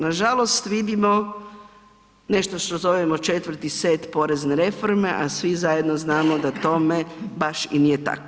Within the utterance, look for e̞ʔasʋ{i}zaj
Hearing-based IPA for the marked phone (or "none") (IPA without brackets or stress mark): i